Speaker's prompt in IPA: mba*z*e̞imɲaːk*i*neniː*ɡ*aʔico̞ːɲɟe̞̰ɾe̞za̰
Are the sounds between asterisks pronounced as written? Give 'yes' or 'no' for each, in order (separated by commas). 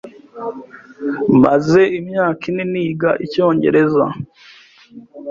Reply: yes, yes, yes